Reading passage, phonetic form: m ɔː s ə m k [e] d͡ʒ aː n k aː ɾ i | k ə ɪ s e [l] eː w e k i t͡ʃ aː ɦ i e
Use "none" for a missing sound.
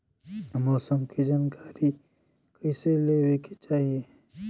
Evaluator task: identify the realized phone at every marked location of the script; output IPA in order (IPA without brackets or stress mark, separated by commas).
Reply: i, l